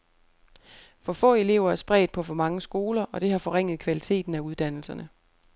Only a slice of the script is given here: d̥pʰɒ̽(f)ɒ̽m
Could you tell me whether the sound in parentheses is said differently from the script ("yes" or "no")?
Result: no